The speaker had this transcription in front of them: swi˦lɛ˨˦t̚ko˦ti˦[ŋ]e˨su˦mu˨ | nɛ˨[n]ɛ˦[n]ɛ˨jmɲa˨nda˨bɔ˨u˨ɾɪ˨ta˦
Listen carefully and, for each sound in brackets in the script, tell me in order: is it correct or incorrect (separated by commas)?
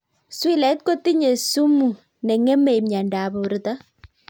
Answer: incorrect, incorrect, incorrect